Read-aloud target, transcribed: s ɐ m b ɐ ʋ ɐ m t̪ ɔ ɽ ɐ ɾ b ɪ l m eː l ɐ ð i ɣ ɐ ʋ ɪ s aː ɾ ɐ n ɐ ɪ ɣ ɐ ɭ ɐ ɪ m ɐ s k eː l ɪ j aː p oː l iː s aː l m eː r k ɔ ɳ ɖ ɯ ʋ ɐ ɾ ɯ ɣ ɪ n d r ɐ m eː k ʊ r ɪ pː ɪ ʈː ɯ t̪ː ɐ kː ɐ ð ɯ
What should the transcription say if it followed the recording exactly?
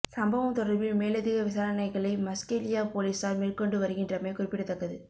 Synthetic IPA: s ɐ m b ɐ ʋ ɐ m t̪ ɔ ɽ ɐ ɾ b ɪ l m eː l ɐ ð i ɣ ɐ ʋ ɪ s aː ɾ ɐ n ɐ ɪ ɣ ɐ ɭ ɐ ɪ m ɐ s k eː l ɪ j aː p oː l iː s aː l m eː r k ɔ ɳ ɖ ɯ ʋ ɐ ɾ ɯ ɣ ɪ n d r ɐ m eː k ʊ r ɪ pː ɪ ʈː ɯ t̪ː ɐ kː ɐ ð ɯ